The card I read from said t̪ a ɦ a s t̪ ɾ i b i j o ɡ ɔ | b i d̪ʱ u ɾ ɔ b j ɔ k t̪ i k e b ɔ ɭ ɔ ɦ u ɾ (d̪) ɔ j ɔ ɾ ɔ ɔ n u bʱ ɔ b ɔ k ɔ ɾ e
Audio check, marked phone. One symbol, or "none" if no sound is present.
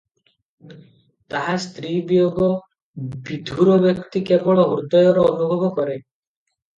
d̪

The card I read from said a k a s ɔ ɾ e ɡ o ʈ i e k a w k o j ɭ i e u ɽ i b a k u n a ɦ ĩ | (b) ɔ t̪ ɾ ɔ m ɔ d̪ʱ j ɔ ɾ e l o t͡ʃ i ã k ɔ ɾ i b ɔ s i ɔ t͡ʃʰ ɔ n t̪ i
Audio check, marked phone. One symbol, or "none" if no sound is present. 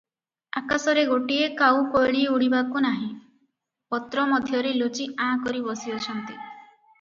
p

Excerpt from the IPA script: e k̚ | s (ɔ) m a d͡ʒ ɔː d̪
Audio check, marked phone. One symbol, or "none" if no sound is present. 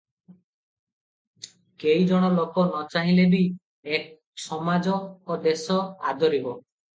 ɔ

